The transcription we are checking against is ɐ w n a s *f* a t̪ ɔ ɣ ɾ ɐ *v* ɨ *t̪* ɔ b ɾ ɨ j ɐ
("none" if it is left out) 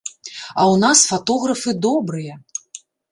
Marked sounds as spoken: f, f, d̪

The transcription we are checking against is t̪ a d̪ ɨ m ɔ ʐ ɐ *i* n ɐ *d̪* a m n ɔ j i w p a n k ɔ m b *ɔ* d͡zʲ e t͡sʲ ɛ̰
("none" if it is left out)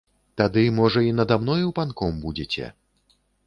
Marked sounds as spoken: i, d̪, u

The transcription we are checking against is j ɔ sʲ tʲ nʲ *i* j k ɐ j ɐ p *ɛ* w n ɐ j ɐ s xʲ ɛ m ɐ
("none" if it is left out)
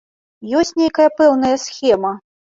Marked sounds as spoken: e, ɛ

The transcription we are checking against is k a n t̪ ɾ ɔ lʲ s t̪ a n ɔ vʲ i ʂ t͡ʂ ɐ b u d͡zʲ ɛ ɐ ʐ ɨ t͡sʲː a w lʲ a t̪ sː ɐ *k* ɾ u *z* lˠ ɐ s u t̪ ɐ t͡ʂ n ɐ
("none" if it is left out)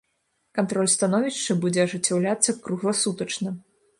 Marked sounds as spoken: k, ɣ

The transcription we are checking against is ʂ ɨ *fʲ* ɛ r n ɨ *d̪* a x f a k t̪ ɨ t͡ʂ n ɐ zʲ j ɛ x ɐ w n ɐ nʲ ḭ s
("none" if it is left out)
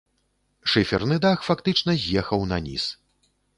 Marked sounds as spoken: fʲ, d̪

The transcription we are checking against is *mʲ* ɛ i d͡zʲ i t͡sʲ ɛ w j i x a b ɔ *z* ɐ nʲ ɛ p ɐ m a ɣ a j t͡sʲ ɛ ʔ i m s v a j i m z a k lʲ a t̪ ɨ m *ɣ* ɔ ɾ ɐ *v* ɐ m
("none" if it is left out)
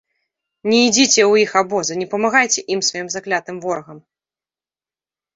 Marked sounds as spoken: nʲ, z, v, ɣ

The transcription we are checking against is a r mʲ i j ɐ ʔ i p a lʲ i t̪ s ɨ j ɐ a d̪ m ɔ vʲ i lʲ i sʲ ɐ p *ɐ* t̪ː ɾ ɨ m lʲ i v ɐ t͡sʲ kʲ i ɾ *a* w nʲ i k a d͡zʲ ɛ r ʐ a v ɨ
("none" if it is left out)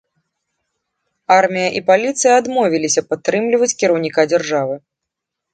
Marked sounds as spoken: a, ɐ

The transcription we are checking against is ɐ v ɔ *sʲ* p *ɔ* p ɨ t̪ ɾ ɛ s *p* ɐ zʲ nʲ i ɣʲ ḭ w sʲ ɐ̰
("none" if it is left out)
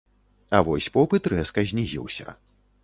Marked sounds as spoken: sʲ, ɔ, k

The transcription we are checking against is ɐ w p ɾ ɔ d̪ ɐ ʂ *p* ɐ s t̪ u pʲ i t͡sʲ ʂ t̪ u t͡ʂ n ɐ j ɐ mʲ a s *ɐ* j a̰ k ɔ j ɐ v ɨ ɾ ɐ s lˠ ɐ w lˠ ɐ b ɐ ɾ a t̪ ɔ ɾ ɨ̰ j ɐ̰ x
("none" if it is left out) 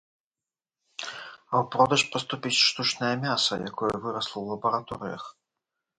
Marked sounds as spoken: p, ɐ

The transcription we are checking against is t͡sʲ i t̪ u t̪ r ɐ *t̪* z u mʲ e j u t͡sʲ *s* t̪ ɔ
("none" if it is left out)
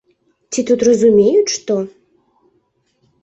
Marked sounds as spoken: none, ʂ

